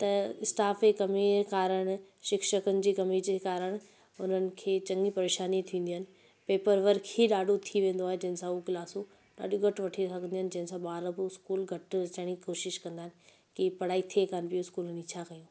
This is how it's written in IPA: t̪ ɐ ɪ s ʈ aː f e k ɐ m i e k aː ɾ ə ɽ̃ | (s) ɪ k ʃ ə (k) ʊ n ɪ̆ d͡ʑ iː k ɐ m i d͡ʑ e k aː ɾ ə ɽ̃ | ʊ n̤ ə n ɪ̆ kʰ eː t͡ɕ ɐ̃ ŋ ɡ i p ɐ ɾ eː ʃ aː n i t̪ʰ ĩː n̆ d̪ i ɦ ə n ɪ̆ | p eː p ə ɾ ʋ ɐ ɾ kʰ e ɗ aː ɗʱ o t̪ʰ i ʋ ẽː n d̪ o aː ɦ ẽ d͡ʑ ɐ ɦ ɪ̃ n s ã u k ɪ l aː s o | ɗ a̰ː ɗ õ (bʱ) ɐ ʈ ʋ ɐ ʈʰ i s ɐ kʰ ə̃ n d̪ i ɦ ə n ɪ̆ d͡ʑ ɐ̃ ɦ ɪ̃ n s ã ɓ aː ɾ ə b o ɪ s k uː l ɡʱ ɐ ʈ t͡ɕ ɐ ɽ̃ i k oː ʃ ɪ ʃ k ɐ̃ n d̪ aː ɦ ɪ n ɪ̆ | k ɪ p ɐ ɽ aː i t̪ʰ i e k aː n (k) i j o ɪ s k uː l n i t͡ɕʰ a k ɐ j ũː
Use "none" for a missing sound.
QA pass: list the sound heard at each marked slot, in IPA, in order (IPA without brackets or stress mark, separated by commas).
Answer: ʃ, k, ɡʱ, p